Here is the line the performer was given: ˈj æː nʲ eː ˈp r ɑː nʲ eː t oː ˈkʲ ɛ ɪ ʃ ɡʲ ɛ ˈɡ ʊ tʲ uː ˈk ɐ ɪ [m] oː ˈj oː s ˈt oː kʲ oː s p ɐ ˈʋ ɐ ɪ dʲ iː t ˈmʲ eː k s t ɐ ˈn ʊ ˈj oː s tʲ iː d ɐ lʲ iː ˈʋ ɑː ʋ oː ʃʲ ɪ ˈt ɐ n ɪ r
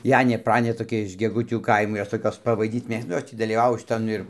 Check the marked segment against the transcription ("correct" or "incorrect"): correct